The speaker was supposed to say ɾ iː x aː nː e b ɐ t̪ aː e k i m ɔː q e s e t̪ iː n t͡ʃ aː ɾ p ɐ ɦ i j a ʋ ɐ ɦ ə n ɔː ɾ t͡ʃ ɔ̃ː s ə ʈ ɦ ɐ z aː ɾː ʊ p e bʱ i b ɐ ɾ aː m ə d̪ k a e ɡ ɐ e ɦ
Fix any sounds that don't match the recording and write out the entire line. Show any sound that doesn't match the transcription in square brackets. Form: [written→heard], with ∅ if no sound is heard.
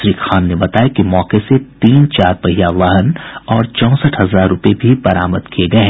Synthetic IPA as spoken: ɾ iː x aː nː e b ɐ t̪ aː e k i m ɔː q e s e t̪ iː n t͡ʃ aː ɾ p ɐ ɦ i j a ʋ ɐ ɦ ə n ɔː ɾ t͡ʃ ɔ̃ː s ə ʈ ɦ ɐ z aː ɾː ʊ p e bʱ i b ɐ ɾ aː m ə d̪ k [a→i] e ɡ ɐ e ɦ

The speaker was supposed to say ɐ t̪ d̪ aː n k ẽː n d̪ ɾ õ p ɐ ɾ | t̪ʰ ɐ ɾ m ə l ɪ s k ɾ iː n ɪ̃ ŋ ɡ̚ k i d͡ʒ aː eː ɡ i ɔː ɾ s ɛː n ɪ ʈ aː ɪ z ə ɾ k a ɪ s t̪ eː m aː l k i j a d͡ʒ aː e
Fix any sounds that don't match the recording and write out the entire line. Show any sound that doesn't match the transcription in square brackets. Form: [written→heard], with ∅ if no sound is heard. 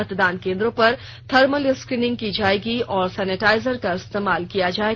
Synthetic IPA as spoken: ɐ t̪ d̪ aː n k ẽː n d̪ ɾ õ p ɐ ɾ | t̪ʰ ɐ ɾ m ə l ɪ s k ɾ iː n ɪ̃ ŋ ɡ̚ k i d͡ʒ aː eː ɡ i ɔː ɾ s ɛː n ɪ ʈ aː ɪ z ə ɾ k a ɪ s t̪ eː m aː l k i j a d͡ʒ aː e

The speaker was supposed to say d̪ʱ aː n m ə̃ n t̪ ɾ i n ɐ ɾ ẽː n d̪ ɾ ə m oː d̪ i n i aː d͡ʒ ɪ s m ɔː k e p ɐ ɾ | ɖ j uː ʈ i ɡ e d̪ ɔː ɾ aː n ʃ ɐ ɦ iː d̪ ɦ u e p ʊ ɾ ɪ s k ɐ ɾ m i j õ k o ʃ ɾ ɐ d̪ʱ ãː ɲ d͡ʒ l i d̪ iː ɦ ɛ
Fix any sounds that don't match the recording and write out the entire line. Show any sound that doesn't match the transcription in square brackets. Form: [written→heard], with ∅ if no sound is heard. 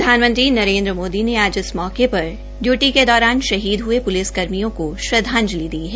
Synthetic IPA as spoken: d̪ʱ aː n m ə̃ n t̪ ɾ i n ɐ ɾ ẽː n d̪ ɾ ə m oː d̪ i n [i→e] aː d͡ʒ ɪ s m ɔː k e p ɐ ɾ | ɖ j uː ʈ i [ɡ→k] e d̪ ɔː ɾ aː n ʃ ɐ ɦ iː d̪ ɦ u e p ʊ [ɾ→l] ɪ s k ɐ ɾ m i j õ k o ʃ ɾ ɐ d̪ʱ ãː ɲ d͡ʒ l i d̪ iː ɦ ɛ

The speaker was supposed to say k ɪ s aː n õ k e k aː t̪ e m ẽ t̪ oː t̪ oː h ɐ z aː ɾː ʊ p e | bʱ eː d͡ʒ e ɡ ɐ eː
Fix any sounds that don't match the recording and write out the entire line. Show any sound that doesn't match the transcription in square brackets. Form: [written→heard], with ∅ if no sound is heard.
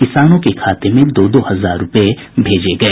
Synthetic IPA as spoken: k ɪ s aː n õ k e [k→kʰ] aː t̪ e m ẽ [t̪→d̪] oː [t̪→d̪] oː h ɐ z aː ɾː ʊ p e | bʱ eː d͡ʒ e ɡ ɐ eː

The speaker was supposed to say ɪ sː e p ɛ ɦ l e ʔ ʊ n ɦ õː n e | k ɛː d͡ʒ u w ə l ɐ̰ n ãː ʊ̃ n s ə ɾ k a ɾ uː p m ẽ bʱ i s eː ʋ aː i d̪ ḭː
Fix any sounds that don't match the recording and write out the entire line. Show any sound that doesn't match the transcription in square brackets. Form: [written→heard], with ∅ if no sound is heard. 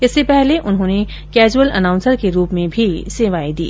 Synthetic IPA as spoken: ɪ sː e p ɛ ɦ l e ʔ ʊ n ɦ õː n e | k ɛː d͡ʒ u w ə l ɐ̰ n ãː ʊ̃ n s ə ɾ k [a→e] ɾ uː p m ẽ bʱ i s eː ʋ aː i d̪ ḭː

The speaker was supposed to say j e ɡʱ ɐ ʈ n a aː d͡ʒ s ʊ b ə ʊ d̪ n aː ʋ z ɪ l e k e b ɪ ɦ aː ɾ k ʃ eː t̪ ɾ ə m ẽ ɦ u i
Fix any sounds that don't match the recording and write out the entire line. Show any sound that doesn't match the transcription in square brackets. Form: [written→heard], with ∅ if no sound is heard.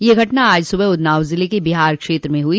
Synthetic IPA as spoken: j e ɡʱ ɐ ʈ n a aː d͡ʒ s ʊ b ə ʊ d̪ n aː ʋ z ɪ l e k e b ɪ ɦ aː ɾ k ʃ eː t̪ ɾ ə m ẽ ɦ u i

